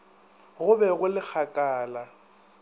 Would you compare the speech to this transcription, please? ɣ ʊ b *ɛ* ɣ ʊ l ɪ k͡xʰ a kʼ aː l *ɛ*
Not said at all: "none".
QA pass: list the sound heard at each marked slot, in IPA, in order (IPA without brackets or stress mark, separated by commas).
ɛ, a